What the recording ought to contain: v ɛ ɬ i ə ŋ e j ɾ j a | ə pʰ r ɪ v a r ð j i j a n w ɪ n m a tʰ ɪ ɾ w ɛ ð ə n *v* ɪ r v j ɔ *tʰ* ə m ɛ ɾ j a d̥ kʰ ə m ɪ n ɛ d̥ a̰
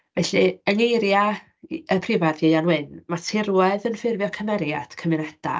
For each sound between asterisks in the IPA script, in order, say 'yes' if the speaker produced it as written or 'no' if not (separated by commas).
no, no